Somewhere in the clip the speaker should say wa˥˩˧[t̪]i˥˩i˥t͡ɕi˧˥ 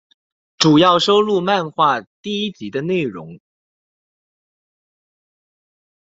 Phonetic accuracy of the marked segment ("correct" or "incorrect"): correct